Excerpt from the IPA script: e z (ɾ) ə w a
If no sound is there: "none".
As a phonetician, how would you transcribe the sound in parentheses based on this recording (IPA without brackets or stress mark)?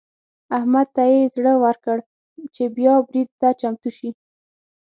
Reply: ɽ